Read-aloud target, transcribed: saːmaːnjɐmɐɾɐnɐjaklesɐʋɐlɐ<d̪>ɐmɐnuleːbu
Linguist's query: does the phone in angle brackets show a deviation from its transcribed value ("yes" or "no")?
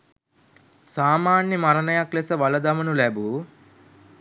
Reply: no